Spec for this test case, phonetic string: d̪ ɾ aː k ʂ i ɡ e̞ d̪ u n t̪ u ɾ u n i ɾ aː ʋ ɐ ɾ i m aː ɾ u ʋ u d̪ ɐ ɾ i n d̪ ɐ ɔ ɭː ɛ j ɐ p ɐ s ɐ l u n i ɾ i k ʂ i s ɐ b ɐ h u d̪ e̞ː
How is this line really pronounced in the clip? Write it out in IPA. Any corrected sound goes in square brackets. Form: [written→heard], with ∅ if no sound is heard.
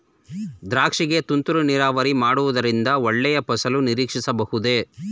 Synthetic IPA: d̪ ɾ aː k ʂ i ɡ e̞ [d̪→t̪] u n t̪ u ɾ u n i ɾ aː ʋ ɐ ɾ i m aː [ɾ→ɽ] u ʋ u d̪ ɐ ɾ i n d̪ ɐ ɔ ɭː ɛ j ɐ p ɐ s ɐ l u n i ɾ [i→iː] k ʂ i s ɐ b ɐ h u d̪ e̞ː